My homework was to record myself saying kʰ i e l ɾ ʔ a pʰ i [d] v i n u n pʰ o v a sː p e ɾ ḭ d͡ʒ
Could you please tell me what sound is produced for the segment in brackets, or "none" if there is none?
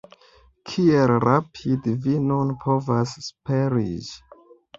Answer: d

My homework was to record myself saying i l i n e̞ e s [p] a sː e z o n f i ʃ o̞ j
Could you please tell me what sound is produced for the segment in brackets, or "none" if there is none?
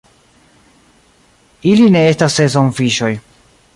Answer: t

